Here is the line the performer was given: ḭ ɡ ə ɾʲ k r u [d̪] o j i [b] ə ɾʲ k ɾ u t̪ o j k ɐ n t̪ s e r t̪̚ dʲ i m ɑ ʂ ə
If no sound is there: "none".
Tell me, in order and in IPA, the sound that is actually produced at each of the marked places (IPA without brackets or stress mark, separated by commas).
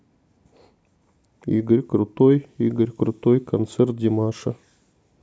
t̪, ɡ